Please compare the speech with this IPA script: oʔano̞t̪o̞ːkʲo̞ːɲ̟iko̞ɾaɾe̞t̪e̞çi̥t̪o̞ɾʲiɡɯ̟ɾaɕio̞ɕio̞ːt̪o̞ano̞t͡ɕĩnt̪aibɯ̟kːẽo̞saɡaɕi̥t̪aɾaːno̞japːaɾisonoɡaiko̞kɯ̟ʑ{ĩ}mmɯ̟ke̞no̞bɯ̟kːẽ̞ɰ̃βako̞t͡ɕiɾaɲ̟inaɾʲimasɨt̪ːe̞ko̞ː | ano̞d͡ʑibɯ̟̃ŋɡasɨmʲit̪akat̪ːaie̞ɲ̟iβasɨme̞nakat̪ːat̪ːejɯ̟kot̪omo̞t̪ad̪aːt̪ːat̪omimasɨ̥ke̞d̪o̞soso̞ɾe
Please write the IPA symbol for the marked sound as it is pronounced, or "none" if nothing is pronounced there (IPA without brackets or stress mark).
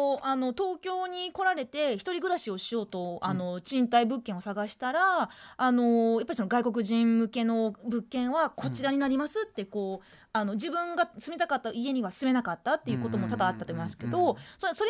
ĩ